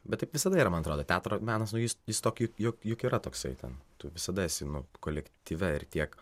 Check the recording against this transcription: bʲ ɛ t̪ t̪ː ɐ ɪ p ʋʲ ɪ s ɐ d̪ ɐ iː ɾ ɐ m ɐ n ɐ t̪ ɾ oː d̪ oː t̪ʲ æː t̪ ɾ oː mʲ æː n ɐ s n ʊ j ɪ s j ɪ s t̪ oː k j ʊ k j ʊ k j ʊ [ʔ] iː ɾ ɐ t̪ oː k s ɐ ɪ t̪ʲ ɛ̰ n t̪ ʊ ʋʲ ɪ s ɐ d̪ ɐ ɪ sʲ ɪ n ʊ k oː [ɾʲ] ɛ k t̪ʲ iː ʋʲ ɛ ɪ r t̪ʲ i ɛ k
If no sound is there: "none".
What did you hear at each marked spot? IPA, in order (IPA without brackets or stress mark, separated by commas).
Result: k, lʲ